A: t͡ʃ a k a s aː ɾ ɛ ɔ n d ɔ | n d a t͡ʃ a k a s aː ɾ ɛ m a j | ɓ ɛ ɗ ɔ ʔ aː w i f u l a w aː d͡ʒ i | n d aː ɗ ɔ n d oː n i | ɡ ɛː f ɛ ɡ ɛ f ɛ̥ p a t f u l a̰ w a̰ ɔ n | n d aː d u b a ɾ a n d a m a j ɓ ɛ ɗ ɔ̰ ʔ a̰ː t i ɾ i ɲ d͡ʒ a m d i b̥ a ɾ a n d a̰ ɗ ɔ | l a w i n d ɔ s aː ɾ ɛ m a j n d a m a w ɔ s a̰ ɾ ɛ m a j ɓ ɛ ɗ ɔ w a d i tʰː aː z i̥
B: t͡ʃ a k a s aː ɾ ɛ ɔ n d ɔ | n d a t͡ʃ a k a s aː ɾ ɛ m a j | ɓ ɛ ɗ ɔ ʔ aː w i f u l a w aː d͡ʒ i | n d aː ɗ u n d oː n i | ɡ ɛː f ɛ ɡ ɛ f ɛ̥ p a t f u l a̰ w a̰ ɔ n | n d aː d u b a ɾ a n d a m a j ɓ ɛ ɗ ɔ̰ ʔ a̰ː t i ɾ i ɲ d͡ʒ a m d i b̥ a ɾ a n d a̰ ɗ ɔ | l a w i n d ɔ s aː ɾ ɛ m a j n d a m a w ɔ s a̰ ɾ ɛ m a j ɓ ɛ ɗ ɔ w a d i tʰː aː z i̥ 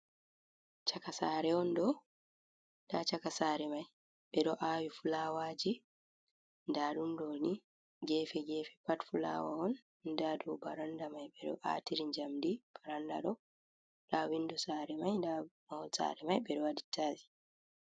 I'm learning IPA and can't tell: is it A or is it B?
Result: B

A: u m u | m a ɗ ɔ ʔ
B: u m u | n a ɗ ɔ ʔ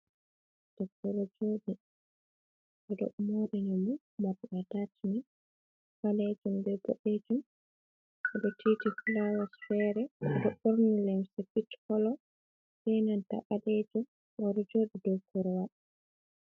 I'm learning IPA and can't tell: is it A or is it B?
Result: A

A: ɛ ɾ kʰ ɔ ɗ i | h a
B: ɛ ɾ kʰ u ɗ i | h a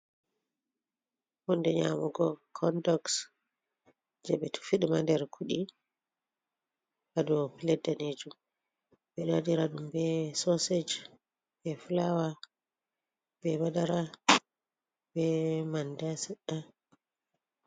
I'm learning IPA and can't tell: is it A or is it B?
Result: B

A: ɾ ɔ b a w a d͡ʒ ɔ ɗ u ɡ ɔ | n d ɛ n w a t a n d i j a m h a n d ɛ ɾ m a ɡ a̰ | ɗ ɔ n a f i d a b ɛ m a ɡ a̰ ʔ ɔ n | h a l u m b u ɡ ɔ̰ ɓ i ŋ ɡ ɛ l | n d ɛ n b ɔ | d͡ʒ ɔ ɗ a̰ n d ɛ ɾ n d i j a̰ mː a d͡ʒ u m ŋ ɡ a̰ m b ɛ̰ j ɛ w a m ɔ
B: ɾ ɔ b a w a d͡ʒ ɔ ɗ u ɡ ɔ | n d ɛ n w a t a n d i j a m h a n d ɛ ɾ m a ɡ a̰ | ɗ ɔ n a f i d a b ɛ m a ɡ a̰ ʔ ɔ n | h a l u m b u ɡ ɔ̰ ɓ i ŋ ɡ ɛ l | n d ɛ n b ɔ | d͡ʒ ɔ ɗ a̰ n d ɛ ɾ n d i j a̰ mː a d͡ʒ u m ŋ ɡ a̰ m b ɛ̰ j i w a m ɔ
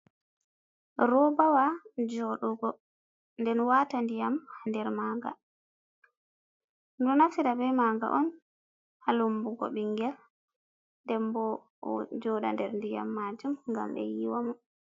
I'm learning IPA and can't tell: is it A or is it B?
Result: B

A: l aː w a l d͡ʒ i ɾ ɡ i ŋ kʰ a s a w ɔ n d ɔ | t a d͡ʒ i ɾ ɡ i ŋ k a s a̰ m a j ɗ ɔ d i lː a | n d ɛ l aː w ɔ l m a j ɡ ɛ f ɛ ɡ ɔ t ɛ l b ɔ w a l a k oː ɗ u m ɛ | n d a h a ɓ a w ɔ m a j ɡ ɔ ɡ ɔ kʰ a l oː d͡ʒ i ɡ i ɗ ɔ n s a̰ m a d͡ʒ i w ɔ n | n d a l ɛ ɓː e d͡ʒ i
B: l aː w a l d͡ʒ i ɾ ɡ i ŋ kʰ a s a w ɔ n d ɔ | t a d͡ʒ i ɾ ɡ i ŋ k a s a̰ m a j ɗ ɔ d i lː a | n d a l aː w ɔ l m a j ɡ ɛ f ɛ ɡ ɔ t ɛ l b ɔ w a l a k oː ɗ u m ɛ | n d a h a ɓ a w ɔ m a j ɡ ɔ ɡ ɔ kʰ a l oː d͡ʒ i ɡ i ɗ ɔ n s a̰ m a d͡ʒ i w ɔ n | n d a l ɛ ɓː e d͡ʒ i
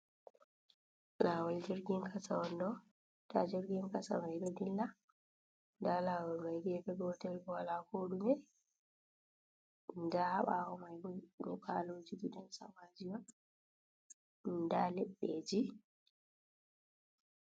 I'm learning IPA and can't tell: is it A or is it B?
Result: B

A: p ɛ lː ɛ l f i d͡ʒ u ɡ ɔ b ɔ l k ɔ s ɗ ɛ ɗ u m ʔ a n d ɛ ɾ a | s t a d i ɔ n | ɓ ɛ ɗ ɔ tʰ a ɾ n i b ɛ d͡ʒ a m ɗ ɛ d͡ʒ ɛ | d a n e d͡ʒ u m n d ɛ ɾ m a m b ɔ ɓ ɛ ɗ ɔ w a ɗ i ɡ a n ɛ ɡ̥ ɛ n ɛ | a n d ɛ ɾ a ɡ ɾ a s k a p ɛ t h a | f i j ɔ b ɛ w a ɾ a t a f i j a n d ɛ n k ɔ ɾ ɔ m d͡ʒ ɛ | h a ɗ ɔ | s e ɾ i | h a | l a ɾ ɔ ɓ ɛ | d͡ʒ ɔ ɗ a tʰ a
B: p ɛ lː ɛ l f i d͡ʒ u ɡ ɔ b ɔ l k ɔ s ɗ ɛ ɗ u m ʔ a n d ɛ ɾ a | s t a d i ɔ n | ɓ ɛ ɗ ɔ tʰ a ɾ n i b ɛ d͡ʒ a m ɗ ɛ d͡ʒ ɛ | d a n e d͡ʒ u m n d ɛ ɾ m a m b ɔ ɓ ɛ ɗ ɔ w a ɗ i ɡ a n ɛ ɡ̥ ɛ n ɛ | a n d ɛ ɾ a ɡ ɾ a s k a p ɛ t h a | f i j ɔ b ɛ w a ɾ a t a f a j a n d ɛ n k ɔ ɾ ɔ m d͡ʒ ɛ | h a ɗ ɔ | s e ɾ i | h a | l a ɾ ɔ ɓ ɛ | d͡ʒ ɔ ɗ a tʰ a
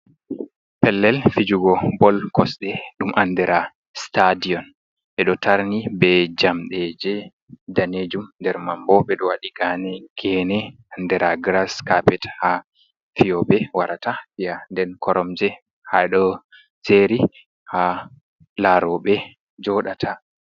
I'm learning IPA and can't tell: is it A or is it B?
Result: A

